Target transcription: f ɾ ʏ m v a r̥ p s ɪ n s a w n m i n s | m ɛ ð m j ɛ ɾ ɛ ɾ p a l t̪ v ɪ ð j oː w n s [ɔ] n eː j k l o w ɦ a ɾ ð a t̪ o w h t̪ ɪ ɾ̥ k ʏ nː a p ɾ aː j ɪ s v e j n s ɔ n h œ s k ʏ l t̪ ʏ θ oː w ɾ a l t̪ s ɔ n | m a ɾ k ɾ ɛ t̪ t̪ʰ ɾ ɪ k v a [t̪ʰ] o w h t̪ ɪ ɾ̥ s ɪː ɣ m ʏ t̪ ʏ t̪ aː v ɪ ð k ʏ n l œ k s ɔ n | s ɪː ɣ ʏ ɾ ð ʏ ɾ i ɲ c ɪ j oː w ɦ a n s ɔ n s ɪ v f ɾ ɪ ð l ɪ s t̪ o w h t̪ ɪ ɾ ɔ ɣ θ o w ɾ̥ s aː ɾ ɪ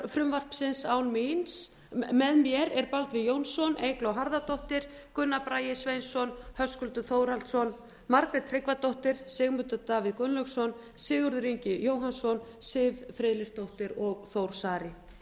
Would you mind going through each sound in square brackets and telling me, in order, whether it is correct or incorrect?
correct, incorrect

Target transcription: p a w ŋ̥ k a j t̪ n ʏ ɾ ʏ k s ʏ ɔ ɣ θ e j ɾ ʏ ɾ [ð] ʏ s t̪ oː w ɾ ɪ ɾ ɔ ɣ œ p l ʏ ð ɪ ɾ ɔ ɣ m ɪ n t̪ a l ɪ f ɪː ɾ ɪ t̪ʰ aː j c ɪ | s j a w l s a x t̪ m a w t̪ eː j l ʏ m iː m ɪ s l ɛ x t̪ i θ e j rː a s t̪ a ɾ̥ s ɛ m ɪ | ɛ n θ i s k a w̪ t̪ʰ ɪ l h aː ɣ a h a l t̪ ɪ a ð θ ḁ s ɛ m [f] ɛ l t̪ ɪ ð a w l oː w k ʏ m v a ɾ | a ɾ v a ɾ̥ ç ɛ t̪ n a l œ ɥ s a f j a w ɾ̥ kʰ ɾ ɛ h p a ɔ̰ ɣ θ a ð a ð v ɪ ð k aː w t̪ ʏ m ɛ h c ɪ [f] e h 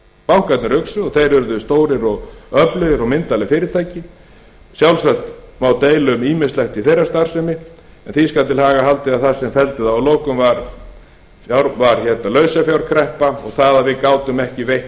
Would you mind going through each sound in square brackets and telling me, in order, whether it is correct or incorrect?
correct, correct, incorrect

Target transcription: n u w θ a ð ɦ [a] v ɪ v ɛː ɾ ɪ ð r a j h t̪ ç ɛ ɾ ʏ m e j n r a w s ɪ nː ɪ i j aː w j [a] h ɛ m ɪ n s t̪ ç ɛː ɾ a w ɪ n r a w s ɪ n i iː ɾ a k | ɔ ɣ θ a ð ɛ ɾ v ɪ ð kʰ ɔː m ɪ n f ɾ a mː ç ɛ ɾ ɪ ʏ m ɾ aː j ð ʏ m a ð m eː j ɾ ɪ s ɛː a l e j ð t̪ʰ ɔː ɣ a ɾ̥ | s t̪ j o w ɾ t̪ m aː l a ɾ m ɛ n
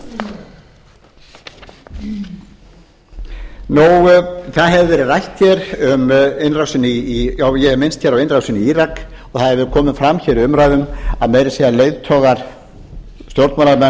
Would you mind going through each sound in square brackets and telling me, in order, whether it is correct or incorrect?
incorrect, incorrect

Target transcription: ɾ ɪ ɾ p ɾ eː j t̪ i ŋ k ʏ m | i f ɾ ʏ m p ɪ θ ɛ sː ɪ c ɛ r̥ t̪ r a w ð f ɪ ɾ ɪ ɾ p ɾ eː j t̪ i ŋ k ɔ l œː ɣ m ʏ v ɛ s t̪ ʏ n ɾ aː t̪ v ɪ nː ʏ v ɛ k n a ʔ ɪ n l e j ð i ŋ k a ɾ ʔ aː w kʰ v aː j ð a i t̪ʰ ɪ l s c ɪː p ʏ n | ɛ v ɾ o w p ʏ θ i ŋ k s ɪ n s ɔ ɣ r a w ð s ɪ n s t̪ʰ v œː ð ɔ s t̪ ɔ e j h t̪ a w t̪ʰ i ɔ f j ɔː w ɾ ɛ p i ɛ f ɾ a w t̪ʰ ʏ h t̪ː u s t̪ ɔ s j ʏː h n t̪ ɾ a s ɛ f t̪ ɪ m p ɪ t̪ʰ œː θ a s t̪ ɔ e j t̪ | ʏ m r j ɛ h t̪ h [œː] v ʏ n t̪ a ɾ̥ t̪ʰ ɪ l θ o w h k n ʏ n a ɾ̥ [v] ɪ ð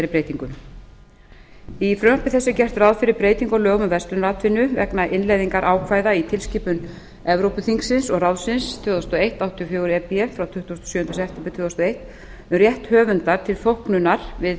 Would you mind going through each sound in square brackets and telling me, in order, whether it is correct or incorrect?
correct, correct

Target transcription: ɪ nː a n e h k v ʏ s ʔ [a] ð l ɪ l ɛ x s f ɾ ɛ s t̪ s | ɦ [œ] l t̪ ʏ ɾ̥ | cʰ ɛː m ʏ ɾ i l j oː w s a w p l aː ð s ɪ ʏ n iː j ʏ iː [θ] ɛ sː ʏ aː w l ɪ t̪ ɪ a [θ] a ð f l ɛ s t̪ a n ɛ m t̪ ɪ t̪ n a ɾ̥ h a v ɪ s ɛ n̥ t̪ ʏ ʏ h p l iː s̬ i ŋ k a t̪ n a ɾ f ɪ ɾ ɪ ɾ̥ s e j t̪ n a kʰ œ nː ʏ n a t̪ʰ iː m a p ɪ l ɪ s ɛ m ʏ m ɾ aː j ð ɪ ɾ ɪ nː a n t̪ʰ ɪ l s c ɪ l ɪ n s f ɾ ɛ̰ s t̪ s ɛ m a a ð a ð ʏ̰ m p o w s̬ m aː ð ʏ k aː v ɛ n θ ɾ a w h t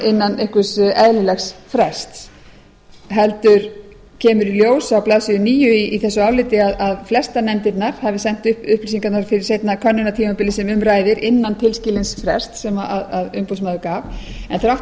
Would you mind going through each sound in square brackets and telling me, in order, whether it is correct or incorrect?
incorrect, incorrect, correct, incorrect

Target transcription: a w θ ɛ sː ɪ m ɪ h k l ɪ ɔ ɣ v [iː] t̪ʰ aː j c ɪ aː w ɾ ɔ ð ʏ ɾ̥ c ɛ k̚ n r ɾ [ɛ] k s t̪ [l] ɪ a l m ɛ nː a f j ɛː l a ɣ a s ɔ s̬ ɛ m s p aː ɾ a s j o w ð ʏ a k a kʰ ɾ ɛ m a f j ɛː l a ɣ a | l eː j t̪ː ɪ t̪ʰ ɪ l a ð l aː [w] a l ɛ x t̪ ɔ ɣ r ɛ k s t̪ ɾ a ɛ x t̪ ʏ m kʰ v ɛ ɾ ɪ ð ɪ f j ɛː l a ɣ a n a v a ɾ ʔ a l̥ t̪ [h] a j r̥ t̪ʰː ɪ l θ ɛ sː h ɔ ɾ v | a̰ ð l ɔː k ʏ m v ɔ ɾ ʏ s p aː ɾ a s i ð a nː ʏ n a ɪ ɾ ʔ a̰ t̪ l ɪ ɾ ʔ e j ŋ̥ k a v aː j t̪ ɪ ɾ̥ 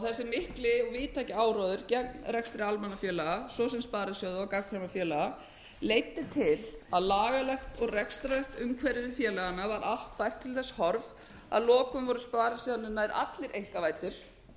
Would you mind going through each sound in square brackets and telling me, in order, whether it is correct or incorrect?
correct, correct, incorrect, incorrect, incorrect

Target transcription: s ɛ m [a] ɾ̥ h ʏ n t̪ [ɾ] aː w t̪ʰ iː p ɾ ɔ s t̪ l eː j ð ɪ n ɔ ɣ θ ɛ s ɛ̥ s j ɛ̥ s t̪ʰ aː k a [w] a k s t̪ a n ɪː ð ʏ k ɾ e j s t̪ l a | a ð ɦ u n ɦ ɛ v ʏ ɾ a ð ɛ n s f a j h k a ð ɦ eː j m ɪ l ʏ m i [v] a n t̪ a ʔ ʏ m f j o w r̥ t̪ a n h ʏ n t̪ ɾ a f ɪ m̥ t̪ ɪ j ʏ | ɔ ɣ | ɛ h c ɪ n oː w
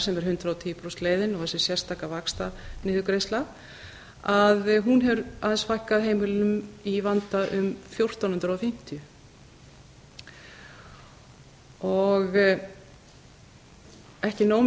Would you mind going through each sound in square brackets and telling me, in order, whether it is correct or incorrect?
incorrect, correct, incorrect, correct

